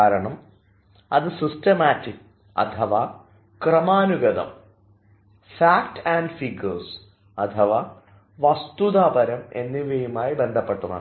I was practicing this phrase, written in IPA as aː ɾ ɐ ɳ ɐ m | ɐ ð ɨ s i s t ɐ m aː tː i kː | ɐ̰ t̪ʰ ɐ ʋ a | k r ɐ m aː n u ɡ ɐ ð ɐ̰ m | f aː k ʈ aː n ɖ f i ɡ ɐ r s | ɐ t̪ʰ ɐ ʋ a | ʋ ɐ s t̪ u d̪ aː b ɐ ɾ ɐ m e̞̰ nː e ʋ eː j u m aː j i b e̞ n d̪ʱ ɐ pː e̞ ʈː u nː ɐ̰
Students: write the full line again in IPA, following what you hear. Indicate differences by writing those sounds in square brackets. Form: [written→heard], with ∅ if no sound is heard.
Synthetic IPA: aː ɾ ɐ ɳ ɐ m | ɐ ð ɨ s i s t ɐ m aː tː i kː | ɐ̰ t̪ʰ ɐ ʋ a | k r ɐ m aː n u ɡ ɐ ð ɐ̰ m | f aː k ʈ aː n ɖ f i ɡ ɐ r s | ɐ t̪ʰ ɐ ʋ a | ʋ ɐ s t̪ u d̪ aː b ɐ ɾ ɐ m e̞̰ nː [e→i] ʋ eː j u m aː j i b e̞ n d̪ʱ ɐ pː e̞ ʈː u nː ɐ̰